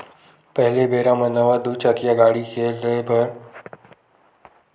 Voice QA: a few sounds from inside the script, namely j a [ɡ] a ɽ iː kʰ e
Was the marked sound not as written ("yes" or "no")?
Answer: no